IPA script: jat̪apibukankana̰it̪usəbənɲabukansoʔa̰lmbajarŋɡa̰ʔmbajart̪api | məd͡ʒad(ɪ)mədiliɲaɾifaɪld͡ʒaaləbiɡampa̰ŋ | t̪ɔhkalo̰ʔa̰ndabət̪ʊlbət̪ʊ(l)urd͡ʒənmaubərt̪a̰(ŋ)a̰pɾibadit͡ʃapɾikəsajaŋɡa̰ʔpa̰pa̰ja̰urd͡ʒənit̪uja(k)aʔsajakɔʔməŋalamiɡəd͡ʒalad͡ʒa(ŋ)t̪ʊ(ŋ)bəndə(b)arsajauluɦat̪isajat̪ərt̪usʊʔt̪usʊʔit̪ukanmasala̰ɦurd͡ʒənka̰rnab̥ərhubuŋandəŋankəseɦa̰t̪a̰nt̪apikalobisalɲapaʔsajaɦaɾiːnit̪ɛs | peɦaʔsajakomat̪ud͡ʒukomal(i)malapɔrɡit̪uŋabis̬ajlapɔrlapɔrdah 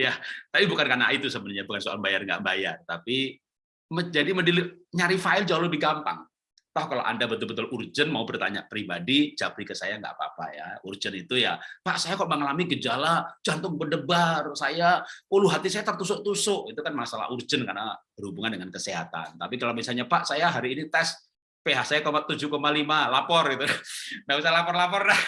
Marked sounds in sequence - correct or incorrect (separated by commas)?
incorrect, correct, incorrect, incorrect, incorrect, correct, correct, correct